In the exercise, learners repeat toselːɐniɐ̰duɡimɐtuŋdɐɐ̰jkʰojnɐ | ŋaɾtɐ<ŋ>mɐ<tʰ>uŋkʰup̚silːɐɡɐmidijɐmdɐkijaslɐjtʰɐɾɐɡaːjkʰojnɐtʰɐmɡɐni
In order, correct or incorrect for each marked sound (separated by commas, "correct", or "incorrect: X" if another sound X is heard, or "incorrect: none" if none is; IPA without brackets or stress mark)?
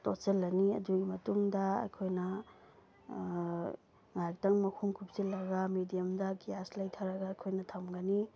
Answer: correct, incorrect: kʰ